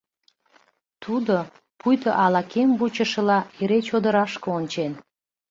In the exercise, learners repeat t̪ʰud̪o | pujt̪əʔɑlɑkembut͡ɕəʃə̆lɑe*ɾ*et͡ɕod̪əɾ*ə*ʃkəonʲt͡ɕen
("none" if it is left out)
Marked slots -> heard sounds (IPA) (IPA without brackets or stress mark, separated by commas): ɾ, ɑ